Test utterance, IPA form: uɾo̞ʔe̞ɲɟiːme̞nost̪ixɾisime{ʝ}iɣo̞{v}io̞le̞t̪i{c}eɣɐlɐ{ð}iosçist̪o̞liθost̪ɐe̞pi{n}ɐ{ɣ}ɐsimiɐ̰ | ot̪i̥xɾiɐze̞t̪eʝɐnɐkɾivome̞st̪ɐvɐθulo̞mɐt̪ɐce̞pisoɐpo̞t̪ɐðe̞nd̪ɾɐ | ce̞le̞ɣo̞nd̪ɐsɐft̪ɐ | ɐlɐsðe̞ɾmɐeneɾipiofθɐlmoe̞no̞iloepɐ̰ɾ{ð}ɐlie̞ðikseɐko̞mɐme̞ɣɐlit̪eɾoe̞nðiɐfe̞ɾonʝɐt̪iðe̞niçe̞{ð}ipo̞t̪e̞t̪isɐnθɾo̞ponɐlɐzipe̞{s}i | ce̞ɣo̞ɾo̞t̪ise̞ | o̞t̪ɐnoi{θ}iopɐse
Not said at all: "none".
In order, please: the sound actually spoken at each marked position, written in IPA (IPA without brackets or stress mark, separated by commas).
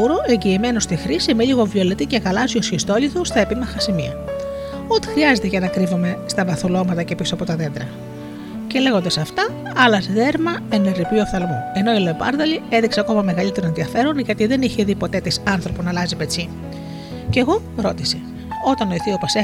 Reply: ʎ, v, c, z, m, x, ð, ð, t͡s, θ